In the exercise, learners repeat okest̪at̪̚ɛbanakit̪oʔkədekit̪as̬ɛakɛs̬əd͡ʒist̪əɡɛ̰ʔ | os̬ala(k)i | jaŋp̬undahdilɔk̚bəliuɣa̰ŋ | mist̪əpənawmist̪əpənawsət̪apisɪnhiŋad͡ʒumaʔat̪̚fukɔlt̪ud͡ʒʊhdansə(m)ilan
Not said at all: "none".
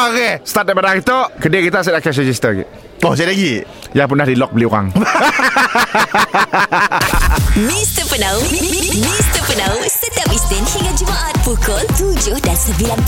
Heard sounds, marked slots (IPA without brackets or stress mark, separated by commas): ɡ, b